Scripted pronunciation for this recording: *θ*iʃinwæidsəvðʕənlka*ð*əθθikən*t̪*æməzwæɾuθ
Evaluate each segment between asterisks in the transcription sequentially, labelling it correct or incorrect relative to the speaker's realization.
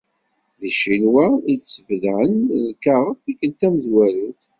incorrect, incorrect, correct

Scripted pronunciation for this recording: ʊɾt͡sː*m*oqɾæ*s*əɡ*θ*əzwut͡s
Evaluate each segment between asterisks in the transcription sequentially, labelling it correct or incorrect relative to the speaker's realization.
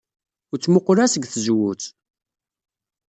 correct, correct, correct

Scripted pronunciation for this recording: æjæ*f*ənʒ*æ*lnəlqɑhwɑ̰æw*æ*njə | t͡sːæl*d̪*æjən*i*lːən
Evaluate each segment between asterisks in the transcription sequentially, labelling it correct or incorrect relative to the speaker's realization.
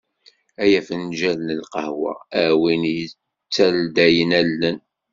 correct, correct, incorrect, correct, incorrect

